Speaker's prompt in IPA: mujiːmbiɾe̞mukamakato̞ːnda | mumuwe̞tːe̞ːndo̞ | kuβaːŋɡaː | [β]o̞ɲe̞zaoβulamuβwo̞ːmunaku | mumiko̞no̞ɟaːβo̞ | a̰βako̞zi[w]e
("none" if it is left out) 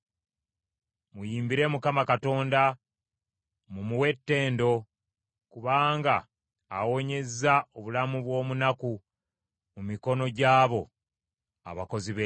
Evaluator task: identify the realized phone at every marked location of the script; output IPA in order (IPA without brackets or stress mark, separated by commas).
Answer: w, β